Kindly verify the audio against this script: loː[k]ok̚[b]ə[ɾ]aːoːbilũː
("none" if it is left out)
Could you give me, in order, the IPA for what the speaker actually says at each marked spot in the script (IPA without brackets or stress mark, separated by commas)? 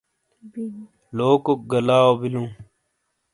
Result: k, ɡ, l